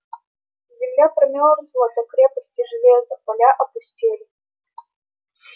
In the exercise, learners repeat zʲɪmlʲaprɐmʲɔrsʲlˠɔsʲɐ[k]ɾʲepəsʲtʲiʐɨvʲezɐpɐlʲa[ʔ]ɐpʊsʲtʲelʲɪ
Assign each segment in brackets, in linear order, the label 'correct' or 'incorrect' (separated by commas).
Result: correct, correct